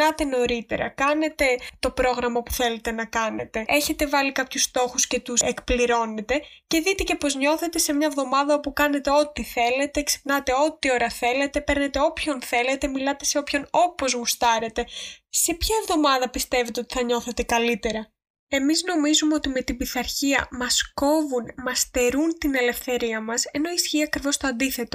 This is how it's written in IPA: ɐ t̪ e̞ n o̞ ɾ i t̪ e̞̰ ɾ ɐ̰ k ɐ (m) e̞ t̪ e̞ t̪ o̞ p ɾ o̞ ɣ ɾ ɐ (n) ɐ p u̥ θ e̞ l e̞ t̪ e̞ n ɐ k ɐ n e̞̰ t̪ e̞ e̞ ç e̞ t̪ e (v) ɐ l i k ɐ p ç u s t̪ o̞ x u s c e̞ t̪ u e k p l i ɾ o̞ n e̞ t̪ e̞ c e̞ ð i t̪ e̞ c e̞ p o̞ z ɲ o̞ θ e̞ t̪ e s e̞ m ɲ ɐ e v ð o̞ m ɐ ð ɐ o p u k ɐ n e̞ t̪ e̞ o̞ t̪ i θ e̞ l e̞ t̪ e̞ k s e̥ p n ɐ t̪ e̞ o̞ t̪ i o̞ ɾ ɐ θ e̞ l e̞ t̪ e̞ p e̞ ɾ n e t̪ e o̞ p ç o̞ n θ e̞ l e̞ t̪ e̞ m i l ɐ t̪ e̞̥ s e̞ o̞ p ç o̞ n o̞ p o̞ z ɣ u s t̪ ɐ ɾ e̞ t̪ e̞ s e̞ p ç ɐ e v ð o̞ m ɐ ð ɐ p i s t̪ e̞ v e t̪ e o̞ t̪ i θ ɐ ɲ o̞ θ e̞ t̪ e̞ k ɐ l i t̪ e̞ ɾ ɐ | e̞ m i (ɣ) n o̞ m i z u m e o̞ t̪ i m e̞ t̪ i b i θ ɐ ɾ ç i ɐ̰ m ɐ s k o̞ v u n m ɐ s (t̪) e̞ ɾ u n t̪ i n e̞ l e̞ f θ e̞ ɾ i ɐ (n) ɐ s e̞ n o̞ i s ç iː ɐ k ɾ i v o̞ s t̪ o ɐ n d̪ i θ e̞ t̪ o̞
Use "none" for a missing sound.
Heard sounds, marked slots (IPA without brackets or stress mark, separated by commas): n, m, v, z, t̪, m